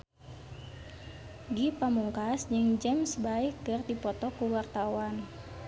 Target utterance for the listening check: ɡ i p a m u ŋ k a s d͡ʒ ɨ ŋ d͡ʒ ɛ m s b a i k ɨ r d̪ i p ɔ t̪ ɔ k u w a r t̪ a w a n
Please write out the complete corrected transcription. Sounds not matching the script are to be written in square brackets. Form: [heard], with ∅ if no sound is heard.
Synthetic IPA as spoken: ɡ i p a m u ŋ k a s d͡ʒ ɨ ŋ d͡ʒ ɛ m s b a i k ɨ r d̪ i p ɔ t̪ ɔ k u w a r t̪ a w a n